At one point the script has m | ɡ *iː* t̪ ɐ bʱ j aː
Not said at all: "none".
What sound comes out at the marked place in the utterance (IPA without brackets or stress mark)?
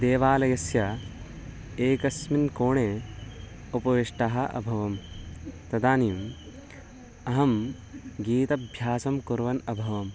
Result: iː